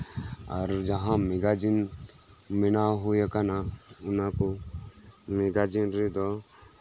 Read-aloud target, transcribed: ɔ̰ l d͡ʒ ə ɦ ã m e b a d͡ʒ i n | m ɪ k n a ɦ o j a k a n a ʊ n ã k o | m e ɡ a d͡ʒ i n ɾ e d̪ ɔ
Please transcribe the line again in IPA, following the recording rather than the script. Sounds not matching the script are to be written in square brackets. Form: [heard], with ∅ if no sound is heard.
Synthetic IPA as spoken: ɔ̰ [ɾ] d͡ʒ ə ɦ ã m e [ɡ] a d͡ʒ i n | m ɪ [∅] n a ɦ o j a k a n a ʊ n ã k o | m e ɡ a d͡ʒ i n ɾ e d̪ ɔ